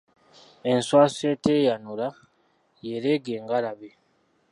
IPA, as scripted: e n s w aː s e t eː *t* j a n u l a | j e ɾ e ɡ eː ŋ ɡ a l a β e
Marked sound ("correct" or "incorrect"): incorrect